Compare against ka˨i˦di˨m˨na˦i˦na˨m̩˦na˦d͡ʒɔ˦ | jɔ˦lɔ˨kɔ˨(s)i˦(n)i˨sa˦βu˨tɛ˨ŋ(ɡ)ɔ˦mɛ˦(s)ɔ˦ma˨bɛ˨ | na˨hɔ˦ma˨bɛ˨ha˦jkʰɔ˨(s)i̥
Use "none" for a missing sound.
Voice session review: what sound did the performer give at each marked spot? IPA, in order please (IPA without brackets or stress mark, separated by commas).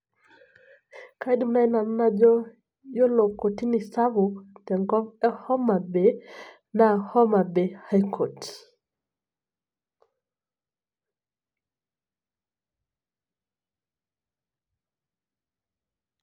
t, n, ɡ, h, t